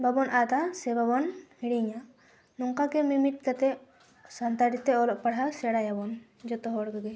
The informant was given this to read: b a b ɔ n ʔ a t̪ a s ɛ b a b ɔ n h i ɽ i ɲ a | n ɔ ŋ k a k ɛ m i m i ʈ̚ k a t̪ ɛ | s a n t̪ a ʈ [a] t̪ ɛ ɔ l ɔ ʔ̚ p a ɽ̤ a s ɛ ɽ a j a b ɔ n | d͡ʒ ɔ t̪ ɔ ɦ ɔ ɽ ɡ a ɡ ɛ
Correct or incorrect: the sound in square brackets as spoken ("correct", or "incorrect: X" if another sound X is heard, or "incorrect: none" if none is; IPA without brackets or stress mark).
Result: incorrect: i